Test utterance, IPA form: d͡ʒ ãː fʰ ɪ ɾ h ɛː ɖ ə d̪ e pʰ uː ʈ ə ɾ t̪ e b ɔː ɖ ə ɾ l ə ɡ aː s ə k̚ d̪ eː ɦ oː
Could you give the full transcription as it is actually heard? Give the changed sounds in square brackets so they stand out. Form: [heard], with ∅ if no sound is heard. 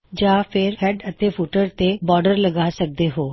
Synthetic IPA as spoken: d͡ʒ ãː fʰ ɪ ɾ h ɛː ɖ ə [t̪] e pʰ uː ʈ ə ɾ t̪ e b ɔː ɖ ə ɾ l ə ɡ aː s ə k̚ d̪ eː ɦ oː

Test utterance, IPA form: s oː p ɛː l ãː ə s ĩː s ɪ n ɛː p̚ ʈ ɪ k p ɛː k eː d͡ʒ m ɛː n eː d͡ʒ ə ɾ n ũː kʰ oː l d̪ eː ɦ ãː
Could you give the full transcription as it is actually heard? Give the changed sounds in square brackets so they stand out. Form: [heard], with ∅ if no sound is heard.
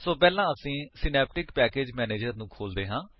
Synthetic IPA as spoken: s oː p ɛː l ãː ə s ĩː s ɪ n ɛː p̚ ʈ ɪ k p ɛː k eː d͡ʒ m ɛː n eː d͡ʒ ə ɾ n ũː kʰ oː l d̪ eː ɦ ãː

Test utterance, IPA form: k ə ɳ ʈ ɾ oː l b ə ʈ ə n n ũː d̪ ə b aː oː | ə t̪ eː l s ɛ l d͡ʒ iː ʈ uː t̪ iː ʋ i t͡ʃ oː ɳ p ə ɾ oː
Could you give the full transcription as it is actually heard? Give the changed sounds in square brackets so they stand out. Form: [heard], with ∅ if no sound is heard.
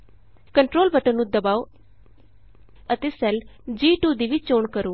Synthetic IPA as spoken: k ə ɳ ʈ ɾ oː l b ə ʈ ə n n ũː d̪ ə b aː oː | ə t̪ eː [∅] s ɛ l d͡ʒ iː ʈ uː [d̪] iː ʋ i t͡ʃ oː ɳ [k] ə ɾ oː

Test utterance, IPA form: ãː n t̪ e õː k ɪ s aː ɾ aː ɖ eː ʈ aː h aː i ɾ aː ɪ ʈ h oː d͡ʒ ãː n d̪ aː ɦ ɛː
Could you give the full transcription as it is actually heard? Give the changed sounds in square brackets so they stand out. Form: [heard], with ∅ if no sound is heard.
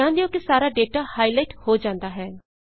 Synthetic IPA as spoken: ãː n [d̪] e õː k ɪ s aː ɾ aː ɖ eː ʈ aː h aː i [l] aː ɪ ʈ h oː d͡ʒ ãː n d̪ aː ɦ ɛː

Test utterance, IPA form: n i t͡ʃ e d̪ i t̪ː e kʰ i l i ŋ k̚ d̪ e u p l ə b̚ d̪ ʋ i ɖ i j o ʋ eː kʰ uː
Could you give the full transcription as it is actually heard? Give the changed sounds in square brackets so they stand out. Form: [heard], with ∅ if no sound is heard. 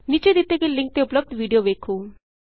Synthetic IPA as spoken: n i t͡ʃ e d̪ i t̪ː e [k] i l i ŋ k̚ [t̪] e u p l ə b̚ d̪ ʋ i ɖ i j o ʋ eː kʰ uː

